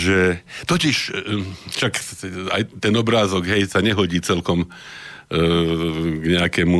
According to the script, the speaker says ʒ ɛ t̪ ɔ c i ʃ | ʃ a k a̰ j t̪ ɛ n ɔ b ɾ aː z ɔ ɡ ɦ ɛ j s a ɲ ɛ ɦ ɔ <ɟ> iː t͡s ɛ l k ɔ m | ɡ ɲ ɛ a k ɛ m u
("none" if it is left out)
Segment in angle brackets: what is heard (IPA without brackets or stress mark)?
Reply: ɟ